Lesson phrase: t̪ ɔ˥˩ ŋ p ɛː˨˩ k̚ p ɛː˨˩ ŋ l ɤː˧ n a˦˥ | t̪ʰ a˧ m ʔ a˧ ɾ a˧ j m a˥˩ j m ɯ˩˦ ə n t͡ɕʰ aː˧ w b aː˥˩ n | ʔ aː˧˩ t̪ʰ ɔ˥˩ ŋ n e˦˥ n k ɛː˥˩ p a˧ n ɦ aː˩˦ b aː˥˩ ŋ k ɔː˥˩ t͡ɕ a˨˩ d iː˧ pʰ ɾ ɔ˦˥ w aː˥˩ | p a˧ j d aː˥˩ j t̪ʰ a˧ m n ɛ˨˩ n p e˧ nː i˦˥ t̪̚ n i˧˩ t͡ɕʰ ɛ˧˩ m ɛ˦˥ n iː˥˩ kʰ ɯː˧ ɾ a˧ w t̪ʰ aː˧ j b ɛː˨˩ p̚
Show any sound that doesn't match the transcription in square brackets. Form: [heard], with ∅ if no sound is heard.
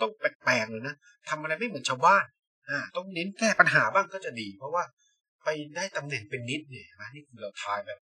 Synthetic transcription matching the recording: t̪ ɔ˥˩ ŋ p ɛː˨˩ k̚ p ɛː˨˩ ŋ l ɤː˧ n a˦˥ | t̪ʰ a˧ m ʔ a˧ ɾ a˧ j m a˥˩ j m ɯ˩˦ ə n t͡ɕʰ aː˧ w b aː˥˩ n | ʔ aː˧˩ [t̪] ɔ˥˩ ŋ n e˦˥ n k ɛː˥˩ p a˧ n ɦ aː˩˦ b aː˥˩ ŋ k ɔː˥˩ t͡ɕ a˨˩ d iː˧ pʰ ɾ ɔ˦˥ w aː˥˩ | p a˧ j d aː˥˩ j [t̪] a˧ m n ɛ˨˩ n p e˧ nː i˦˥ t̪̚ n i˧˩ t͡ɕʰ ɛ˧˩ m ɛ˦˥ n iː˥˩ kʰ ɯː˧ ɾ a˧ w t̪ʰ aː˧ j b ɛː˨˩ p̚

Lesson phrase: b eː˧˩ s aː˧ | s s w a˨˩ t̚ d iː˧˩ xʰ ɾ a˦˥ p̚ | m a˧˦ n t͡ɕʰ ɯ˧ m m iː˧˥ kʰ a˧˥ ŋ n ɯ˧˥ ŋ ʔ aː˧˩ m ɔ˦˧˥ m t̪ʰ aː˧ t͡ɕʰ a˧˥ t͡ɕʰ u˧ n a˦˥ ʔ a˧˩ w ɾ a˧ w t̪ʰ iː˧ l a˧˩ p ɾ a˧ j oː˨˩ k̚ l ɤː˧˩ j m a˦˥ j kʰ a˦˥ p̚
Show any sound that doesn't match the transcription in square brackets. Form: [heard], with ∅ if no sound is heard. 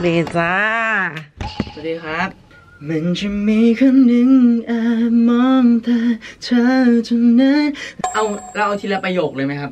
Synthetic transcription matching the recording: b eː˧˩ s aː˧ | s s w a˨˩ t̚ d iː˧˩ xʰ ɾ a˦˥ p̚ | m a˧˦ n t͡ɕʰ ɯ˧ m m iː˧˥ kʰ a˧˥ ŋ n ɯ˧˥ ŋ ʔ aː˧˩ m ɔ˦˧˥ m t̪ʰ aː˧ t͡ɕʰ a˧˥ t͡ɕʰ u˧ n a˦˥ ʔ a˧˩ w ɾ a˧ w t̪ʰ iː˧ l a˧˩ p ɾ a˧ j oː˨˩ k̚ l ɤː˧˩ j m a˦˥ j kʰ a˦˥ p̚

